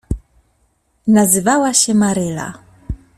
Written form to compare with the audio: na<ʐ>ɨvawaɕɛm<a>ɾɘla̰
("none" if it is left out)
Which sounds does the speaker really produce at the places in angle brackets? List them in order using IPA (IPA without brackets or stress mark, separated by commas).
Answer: z, a